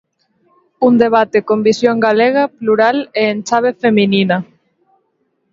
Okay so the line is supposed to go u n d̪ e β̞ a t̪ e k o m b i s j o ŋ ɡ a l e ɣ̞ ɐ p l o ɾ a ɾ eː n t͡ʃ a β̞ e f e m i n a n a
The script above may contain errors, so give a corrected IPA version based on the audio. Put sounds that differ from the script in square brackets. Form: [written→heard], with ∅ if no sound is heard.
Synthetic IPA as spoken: u n d̪ e β̞ a t̪ e k o m b i s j o ŋ ɡ a l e ɣ̞ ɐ p l [o→u] ɾ a [ɾ→l] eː n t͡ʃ a β̞ e f e m i n [a→i] n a